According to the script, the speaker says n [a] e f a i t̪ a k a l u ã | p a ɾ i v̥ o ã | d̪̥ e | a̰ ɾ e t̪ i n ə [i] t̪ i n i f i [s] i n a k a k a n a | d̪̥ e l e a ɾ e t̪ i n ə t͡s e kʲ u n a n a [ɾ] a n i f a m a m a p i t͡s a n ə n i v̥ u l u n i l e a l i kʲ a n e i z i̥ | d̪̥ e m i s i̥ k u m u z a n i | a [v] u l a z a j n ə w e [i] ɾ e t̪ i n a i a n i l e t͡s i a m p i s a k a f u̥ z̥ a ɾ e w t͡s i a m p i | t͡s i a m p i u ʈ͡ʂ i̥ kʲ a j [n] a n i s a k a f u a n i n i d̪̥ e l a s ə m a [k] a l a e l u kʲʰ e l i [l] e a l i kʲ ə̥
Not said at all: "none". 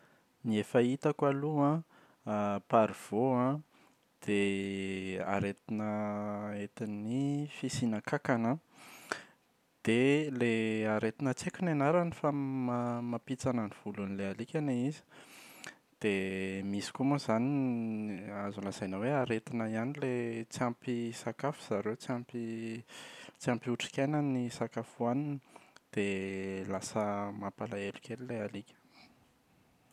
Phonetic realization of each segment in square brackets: i, e, s, ɾ, z, a, n, p, l

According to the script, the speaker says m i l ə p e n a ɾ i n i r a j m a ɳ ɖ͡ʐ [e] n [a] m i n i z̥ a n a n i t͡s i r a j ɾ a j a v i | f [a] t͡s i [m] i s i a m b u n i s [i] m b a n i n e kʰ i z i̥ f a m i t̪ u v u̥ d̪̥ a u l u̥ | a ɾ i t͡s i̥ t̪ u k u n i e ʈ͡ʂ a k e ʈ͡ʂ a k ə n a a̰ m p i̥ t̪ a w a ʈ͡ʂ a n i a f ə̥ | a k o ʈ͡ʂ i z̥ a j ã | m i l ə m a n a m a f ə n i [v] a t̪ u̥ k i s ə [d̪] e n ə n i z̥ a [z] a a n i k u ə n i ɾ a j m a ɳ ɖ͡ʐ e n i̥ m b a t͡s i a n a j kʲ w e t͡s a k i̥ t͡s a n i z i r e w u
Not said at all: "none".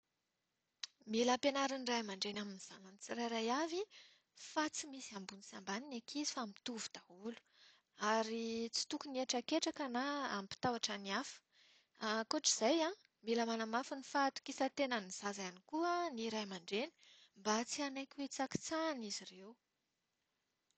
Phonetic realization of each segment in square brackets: e, a, a, m, a, f, t̪, z

